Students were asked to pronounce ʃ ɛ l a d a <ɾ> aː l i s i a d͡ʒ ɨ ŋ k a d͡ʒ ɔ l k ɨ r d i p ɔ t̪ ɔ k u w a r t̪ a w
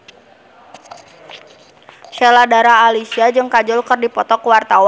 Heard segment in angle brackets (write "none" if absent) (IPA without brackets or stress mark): ɾ